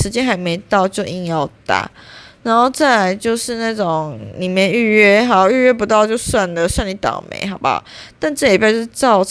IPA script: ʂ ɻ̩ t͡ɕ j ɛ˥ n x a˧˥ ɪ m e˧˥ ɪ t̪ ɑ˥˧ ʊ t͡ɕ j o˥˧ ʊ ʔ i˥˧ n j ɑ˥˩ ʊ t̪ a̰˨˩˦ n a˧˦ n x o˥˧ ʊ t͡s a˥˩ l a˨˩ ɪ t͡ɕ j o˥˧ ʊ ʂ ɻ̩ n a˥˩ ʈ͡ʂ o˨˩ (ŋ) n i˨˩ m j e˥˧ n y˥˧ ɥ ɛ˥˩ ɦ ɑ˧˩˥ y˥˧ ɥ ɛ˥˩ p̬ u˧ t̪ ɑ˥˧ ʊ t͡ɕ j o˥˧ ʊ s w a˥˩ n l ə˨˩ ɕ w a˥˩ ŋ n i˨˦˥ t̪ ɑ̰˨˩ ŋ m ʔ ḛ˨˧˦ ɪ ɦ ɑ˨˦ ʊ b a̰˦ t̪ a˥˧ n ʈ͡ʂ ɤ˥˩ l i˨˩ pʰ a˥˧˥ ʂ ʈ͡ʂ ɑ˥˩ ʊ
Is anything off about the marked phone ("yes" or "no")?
no